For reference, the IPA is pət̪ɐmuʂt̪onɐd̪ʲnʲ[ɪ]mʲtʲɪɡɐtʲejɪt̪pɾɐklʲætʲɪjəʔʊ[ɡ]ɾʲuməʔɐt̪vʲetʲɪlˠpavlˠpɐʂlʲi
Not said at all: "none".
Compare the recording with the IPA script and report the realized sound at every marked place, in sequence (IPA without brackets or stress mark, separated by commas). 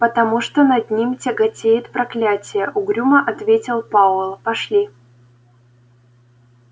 i, ɡ